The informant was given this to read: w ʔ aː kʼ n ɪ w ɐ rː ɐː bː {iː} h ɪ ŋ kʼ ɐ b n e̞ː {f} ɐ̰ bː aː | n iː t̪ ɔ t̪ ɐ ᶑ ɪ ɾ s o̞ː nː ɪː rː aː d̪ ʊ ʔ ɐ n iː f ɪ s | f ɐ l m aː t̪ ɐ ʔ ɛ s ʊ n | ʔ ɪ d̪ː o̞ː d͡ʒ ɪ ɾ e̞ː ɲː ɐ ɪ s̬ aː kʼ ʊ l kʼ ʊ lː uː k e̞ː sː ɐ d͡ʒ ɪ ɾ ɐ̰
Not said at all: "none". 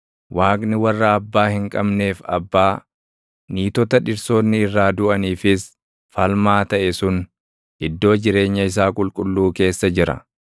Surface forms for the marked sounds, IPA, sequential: aː, f

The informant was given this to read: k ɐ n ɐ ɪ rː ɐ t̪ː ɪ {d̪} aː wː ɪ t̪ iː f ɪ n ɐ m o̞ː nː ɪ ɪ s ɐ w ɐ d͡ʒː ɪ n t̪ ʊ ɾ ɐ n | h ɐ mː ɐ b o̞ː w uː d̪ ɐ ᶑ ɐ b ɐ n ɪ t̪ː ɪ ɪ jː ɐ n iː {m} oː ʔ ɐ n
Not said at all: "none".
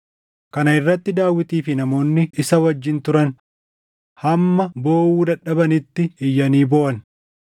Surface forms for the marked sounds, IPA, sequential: d̪, b

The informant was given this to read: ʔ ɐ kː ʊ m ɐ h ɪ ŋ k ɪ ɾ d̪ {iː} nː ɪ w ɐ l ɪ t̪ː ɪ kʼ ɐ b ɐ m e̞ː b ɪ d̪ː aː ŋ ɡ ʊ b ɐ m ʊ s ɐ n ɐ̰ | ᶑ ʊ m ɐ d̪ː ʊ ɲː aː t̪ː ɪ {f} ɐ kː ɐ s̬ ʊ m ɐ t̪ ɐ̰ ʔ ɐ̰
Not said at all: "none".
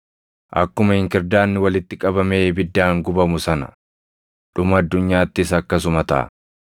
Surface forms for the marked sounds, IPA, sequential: aː, s

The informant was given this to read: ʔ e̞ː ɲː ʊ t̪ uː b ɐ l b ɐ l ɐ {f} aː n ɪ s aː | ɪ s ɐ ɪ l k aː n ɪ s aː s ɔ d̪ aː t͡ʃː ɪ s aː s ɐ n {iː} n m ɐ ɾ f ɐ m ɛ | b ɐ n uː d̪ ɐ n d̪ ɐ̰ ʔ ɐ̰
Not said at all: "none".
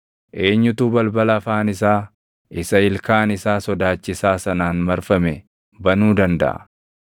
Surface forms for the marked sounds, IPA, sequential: f, aː

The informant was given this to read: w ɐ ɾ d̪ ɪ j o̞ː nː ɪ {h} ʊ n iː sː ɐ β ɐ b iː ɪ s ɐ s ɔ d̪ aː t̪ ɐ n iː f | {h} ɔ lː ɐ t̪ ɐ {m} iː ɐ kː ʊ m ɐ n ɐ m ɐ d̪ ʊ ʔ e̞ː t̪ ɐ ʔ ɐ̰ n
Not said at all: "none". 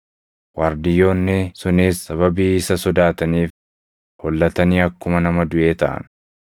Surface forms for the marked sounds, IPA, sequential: s, h, n

